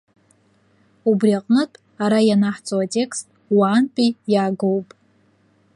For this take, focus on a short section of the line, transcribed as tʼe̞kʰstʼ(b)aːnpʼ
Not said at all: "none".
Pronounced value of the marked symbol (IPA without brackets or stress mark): w